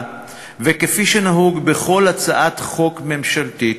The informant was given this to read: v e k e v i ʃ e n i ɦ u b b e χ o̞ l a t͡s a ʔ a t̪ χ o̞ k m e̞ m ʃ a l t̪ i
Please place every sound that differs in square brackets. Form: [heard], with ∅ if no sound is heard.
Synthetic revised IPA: v e k e [f] i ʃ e n [a] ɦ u [ɡ] b e χ o̞ l a t͡s a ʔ a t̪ χ o̞ k m e̞ m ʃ a l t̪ i